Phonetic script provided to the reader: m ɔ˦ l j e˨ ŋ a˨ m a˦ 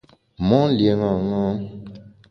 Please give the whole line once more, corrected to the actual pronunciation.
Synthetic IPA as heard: m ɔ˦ l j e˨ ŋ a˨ ŋ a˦